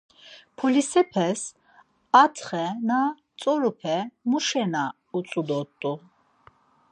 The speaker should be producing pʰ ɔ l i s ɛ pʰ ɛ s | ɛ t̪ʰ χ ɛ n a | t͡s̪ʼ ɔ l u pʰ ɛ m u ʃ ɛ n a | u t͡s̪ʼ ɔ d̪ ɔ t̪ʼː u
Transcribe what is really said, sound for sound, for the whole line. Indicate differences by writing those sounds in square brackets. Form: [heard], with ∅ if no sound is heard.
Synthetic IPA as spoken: pʰ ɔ l i s ɛ pʰ ɛ s | [a] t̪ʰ χ ɛ n a | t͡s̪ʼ ɔ [ɾ] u pʰ ɛ m u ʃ ɛ n a | u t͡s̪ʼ [u] d̪ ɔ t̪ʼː u